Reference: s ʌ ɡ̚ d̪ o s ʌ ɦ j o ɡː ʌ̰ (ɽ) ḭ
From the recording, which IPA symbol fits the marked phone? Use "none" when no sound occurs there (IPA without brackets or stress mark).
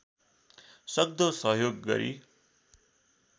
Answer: ɾ